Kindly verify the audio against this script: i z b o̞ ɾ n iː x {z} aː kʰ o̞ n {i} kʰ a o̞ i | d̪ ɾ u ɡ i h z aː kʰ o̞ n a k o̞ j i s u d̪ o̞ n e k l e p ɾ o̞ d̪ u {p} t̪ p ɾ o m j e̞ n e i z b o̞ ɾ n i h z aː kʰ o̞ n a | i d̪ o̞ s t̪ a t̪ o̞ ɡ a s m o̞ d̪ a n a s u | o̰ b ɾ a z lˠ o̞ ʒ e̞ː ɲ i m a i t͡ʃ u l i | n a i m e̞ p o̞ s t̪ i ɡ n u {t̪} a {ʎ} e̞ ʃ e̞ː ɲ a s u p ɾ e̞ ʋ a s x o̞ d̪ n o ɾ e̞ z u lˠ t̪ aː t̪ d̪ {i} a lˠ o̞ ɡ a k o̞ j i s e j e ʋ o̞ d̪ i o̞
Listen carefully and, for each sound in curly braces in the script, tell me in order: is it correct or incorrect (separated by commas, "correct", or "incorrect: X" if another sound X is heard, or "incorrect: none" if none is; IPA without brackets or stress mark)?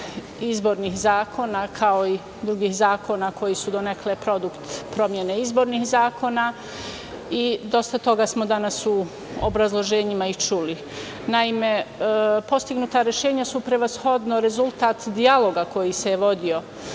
correct, incorrect: a, incorrect: k, correct, incorrect: ɾ, correct